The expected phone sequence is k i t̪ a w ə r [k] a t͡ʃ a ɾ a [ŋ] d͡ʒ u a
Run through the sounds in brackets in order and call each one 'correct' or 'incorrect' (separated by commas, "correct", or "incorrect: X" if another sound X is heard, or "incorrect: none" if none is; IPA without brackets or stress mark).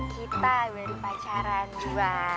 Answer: incorrect: p, incorrect: n